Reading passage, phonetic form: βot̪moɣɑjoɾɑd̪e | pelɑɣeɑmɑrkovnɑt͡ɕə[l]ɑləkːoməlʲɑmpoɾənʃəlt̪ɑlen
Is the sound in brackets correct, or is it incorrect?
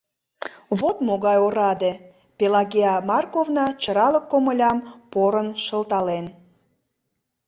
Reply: incorrect